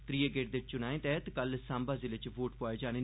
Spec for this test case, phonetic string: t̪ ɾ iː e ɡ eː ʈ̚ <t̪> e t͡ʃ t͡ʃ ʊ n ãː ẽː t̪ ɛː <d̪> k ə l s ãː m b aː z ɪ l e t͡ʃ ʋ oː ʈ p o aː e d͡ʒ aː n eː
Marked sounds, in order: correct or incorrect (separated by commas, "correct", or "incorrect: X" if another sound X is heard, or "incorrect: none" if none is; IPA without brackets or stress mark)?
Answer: incorrect: d̪, incorrect: t̪